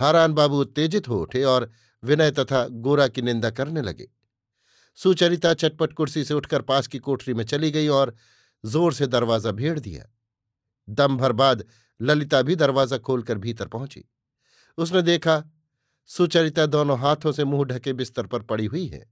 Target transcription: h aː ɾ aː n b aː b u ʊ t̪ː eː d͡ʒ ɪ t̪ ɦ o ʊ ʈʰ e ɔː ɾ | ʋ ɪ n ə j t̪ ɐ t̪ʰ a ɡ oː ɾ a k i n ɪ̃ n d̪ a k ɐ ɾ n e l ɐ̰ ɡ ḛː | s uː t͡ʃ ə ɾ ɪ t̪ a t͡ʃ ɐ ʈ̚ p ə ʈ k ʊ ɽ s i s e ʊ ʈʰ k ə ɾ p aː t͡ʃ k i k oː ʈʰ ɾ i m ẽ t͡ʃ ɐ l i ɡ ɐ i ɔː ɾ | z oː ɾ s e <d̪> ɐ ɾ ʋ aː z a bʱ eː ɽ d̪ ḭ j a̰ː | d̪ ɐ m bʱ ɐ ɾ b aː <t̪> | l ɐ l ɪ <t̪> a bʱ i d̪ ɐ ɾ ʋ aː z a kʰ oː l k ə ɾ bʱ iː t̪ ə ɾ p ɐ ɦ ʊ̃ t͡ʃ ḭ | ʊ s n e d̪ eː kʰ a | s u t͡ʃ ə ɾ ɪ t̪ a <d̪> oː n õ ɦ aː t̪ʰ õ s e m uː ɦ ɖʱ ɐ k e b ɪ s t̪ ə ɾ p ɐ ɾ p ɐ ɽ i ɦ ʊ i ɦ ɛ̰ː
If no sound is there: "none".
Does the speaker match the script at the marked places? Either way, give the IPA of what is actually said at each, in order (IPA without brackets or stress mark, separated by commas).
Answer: d̪, d̪, t̪, d̪